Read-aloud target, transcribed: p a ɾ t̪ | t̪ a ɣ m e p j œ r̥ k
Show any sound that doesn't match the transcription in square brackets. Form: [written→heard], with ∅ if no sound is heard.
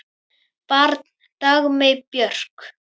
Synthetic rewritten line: p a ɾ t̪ | t̪ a ɣ m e p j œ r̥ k